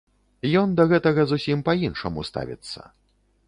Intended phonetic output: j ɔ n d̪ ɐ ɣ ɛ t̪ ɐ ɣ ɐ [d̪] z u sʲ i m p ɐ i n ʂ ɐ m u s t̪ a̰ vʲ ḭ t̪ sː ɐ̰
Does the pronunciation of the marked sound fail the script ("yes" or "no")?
yes